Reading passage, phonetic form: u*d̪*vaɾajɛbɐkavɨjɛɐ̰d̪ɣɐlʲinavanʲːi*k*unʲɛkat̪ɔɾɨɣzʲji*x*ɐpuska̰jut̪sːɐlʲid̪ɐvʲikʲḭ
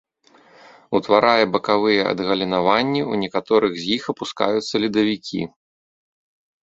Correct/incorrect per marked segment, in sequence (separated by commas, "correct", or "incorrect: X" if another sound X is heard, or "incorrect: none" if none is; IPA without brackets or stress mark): incorrect: t̪, incorrect: none, correct